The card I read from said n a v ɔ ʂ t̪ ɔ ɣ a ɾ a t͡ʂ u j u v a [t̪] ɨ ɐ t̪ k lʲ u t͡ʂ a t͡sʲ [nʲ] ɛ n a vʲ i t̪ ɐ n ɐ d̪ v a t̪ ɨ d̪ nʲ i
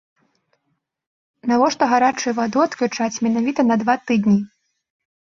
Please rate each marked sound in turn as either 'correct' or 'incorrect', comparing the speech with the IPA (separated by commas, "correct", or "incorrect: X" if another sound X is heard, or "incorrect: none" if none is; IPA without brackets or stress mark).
incorrect: d̪, incorrect: mʲ